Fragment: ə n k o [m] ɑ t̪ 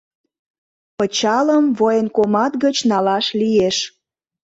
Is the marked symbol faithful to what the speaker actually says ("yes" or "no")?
yes